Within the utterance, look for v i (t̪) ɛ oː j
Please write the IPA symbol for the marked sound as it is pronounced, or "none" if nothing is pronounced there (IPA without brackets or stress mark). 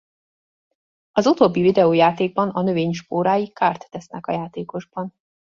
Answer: d̪